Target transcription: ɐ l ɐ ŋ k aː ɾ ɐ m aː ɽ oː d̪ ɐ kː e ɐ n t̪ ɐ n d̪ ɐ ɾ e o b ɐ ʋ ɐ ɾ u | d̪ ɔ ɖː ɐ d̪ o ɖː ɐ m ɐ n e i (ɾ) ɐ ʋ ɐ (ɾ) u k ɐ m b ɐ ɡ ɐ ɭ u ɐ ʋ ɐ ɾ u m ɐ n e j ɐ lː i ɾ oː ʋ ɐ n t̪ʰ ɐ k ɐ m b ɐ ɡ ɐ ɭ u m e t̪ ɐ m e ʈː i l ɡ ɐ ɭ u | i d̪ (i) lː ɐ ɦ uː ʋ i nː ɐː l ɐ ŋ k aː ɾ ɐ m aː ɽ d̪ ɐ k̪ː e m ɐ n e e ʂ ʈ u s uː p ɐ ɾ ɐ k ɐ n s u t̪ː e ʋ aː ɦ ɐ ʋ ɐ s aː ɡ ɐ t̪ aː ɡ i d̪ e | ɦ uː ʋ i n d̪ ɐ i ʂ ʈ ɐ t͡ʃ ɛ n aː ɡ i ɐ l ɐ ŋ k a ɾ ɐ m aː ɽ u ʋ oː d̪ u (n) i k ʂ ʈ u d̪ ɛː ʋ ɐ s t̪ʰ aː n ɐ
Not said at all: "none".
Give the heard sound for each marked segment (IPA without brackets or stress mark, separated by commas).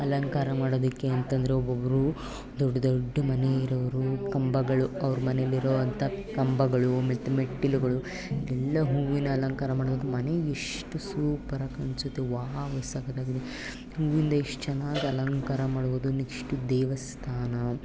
ɾ, ɾ, ɛ, n